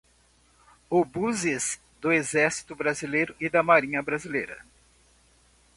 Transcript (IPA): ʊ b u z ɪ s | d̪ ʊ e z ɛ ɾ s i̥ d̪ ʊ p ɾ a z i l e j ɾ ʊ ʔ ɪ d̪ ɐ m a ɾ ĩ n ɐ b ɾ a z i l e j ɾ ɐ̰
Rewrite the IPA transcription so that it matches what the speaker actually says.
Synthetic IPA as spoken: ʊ b u z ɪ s | d̪ ʊ e z ɛ ɾ s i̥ t̪ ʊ b ɾ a z i l e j ɾ ʊ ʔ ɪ d̪ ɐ m a ɾ ĩ ɲ ɐ b ɾ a z i l e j ɾ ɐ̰